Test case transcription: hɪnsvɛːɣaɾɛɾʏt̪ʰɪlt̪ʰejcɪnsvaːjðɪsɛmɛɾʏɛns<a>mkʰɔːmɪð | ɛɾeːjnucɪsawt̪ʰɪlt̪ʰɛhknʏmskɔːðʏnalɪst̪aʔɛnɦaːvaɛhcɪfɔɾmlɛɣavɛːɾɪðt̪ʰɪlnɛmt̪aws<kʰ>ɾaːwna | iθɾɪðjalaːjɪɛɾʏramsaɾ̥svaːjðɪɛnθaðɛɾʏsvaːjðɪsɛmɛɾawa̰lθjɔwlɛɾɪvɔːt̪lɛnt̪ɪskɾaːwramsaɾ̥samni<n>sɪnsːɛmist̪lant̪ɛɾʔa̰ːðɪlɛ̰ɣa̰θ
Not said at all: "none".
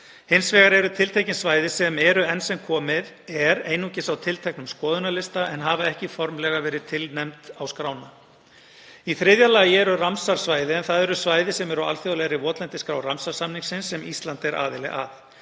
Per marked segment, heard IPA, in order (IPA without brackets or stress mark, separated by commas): ɛ, k, ŋ